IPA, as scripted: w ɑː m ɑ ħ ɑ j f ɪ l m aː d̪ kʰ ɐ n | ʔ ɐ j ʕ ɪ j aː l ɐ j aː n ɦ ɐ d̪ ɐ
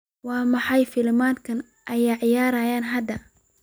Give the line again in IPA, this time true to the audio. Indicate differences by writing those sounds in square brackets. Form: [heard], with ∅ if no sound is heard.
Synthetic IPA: w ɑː m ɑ ħ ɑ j f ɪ l m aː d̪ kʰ ɐ n | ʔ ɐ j ʕ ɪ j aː [ɾ] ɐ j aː n ɦ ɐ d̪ ɐ